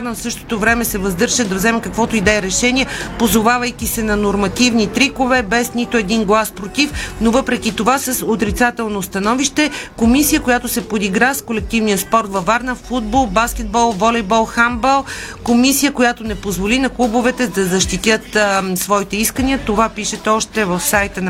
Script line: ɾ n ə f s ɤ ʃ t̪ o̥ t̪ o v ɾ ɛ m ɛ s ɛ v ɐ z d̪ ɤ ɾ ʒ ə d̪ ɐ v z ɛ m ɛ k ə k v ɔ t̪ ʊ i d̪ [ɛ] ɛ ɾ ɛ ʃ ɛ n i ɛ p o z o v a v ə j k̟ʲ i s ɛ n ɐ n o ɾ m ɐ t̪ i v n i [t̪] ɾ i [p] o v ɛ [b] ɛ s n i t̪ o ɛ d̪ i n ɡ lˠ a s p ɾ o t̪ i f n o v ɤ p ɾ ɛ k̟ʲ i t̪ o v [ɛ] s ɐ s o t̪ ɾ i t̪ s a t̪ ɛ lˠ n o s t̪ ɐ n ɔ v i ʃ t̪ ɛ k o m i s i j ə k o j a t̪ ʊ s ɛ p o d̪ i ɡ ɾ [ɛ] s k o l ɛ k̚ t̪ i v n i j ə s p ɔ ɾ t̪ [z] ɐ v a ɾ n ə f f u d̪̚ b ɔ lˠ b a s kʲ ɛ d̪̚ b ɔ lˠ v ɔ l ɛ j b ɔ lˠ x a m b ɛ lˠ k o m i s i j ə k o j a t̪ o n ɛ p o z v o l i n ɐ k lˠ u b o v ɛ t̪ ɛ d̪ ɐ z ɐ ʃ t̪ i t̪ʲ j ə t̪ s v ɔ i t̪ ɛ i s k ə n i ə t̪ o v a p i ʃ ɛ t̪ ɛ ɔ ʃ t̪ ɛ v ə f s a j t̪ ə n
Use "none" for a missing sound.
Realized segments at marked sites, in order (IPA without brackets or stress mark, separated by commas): ɛ, t̪, k, b, a, a, v